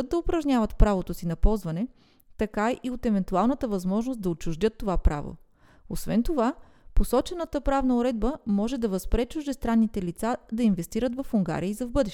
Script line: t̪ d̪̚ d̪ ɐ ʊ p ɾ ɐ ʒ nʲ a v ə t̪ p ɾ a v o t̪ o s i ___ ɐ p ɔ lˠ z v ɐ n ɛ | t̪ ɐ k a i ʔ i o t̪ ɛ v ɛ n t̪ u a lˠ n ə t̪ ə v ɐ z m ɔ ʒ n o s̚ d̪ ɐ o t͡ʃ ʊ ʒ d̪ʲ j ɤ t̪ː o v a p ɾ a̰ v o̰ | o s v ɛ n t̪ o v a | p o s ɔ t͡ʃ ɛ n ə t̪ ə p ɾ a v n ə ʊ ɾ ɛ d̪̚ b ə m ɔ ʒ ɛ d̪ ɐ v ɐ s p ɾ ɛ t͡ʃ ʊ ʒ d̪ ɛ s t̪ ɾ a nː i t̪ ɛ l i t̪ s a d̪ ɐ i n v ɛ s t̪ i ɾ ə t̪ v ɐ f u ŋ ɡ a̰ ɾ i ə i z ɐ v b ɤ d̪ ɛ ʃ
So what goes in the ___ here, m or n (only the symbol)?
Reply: n